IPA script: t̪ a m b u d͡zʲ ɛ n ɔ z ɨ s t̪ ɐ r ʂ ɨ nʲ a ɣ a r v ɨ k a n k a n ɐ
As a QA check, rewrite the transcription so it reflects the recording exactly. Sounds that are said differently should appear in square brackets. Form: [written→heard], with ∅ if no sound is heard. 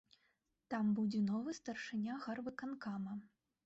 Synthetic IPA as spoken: t̪ a m b u d͡zʲ ɛ n ɔ [z→v] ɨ s t̪ ɐ r ʂ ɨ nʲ a ɣ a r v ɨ k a n k a [n→m] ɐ